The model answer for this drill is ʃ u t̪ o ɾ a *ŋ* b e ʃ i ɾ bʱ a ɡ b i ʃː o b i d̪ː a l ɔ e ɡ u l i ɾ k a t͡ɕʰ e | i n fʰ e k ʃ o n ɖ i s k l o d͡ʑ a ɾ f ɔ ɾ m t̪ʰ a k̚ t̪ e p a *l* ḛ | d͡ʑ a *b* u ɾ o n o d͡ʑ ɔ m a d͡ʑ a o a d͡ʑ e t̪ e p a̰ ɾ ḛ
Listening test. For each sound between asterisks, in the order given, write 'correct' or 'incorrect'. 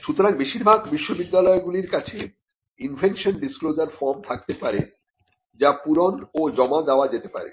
correct, incorrect, incorrect

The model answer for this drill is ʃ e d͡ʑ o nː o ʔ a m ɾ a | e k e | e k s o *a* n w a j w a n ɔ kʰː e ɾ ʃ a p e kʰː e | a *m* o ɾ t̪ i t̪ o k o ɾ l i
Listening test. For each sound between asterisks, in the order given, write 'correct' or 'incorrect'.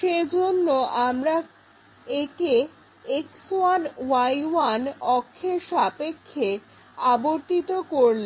correct, incorrect

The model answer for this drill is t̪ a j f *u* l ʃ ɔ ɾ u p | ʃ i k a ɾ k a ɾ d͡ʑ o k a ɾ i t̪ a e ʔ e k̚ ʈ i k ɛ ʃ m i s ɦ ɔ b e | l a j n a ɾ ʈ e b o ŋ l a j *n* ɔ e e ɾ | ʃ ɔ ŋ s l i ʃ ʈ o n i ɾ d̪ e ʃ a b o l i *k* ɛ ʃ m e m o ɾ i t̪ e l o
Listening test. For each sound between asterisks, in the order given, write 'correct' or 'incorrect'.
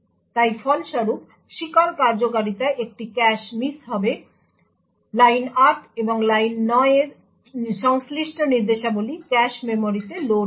incorrect, incorrect, correct

